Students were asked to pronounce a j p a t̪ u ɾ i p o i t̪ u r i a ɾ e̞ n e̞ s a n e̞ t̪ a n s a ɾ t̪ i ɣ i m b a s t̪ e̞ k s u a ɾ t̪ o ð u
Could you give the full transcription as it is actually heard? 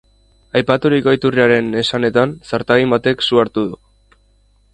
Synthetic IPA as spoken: a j p a t̪ u ɾ i k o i t̪ u r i a ɾ e̞ n e̞ s a n e̞ t̪ a n s a ɾ t̪ a ɣ i m b a t̪ e̞ k s u a ɾ t̪ u ð u